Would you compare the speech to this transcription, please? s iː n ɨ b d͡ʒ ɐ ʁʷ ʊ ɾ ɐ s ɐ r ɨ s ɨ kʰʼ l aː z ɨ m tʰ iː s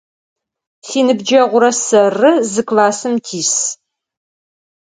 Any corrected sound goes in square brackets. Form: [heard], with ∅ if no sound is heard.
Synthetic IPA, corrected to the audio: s iː n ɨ b d͡ʒ ɐ ʁʷ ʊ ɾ ɐ s ɐ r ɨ [z] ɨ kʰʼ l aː [s] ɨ m tʰ iː s